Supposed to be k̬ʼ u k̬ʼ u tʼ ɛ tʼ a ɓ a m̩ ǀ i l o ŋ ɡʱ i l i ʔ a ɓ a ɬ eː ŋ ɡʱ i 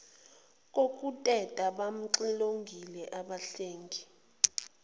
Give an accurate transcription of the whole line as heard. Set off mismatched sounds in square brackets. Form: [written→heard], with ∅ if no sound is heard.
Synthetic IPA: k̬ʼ [u→o] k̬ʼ u tʼ ɛ tʼ a ɓ a m̩ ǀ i l o ŋ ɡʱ i l [i→ɛ] ʔ a ɓ a ɬ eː ŋ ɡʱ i